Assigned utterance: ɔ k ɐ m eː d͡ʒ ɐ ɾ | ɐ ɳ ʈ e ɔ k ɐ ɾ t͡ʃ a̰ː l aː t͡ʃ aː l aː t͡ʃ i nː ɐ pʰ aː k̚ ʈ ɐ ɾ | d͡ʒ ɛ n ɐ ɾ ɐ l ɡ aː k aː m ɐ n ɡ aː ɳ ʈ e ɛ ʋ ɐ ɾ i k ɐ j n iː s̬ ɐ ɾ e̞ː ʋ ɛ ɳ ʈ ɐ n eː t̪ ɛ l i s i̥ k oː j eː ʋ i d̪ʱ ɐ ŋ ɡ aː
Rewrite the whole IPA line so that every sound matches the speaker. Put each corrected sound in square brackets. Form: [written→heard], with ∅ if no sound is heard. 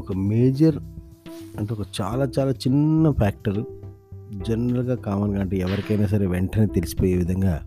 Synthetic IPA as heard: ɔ k ɐ m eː d͡ʒ ɐ ɾ | ɐ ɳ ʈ e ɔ k ɐ [ɾ→∅] t͡ʃ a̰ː l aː t͡ʃ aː l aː t͡ʃ i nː ɐ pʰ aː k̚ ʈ ɐ ɾ | d͡ʒ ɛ n ɐ ɾ ɐ l ɡ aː k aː m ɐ n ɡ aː ɳ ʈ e ɛ ʋ ɐ ɾ i k ɐ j n [iː→aː] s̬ ɐ ɾ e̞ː ʋ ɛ ɳ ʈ ɐ n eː t̪ [ɛ→e] l i s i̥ [k→p] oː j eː ʋ i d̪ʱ ɐ ŋ ɡ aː